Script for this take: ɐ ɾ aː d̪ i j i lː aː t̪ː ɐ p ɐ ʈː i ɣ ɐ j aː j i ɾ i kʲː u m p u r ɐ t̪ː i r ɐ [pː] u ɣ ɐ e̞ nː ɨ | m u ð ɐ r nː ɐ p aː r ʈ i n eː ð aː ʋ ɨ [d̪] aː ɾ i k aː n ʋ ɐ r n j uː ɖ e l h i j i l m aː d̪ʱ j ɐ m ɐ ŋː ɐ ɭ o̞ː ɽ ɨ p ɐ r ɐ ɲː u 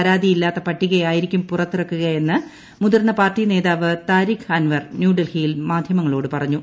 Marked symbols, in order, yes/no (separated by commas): no, no